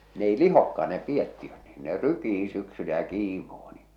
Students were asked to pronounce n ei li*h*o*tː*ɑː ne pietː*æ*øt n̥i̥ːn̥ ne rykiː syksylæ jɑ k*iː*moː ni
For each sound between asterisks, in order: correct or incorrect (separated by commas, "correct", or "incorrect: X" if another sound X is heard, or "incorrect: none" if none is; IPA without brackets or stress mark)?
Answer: correct, incorrect: kː, incorrect: i, correct